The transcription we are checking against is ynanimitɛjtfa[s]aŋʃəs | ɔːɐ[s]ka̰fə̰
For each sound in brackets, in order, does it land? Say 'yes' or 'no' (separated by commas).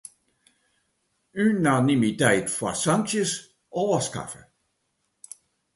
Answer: yes, yes